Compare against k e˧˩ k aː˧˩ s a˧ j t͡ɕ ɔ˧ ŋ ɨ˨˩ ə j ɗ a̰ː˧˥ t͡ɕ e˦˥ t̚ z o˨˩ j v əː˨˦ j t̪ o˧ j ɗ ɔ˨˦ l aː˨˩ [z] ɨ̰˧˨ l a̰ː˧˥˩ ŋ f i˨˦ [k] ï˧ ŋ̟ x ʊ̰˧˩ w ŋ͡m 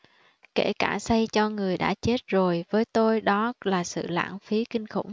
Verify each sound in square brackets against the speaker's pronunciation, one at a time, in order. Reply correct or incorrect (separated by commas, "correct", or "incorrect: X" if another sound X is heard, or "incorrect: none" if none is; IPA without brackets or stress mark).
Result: incorrect: s, correct